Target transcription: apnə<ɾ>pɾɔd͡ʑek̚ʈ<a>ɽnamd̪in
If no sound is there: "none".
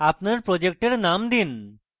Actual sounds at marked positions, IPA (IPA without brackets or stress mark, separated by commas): ɾ, e